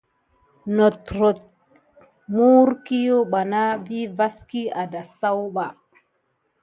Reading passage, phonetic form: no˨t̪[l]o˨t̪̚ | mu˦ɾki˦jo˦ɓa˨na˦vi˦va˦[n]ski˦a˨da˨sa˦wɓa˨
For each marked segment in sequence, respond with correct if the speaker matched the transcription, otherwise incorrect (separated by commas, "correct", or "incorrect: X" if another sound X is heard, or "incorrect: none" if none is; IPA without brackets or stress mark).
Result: incorrect: ɾ, incorrect: none